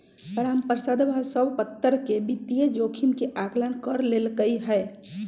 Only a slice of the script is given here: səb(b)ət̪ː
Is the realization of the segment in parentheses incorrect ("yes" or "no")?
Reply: yes